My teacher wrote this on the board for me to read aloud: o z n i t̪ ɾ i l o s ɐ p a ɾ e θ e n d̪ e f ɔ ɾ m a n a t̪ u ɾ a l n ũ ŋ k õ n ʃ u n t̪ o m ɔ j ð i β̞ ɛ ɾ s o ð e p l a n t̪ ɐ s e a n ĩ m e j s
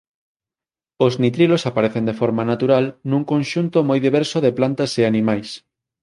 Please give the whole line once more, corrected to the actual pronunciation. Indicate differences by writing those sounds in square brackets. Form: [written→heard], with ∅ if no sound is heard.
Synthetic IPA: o z n i t̪ ɾ i l o s [ɐ→a] p a ɾ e θ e n d̪ e f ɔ ɾ m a n a t̪ u ɾ a l n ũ ŋ k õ n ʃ u n t̪ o m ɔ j ð i β̞ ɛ ɾ s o ð e p l a n t̪ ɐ s e a n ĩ m [e→a] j s